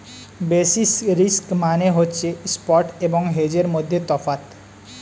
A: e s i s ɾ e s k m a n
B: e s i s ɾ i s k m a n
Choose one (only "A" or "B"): B